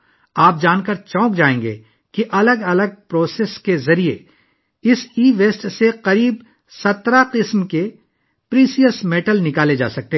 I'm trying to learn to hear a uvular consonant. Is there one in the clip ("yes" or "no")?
yes